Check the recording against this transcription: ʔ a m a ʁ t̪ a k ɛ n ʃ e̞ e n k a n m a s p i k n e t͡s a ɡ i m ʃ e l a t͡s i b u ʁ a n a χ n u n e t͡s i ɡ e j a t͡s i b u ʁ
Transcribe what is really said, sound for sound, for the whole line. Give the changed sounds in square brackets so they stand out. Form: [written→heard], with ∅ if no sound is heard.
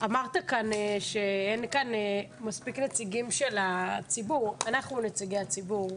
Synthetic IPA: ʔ a m a ʁ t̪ a k [ɛ→a] n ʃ e̞ e n k a n m a s p i k n e t͡s [a→i] ɡ i m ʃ e l a t͡s i b u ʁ a n a χ n u n e t͡s i ɡ e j a t͡s i b u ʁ